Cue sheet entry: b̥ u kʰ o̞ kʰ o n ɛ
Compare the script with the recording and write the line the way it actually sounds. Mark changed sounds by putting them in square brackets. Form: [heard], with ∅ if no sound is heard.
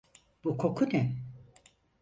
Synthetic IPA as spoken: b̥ u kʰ o̞ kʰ [u] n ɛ